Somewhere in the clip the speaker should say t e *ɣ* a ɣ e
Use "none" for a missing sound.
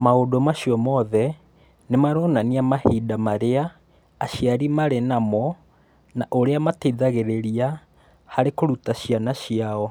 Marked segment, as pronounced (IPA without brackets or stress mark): ð